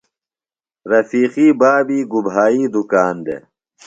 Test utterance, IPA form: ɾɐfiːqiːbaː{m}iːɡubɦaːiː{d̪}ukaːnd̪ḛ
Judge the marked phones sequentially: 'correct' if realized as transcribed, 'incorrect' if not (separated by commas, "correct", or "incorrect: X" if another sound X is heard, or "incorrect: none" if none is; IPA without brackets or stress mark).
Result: incorrect: b, correct